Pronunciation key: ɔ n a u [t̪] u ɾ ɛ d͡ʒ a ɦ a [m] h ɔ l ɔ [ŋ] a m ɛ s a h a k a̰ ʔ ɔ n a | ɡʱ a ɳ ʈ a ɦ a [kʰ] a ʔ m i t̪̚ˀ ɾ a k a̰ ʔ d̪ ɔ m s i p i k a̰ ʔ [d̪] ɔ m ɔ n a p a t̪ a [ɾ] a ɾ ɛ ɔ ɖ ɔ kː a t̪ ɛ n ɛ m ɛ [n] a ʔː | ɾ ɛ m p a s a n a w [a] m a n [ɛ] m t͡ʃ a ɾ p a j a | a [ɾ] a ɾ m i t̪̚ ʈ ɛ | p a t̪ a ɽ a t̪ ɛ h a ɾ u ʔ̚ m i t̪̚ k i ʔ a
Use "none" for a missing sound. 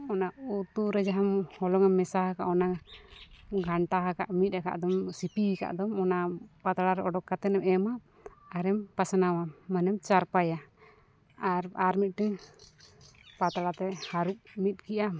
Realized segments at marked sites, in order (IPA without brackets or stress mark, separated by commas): t̪, m, ŋ, k, d̪, ɽ, m, a, ɛ, ɾ